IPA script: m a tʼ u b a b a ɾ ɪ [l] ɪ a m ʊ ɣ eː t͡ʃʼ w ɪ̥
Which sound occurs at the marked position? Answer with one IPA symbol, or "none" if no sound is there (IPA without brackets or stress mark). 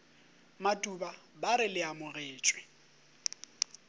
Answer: l